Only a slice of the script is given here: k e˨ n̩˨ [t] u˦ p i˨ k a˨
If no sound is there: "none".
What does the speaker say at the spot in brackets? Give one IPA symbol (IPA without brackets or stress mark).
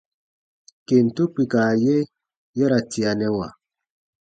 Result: t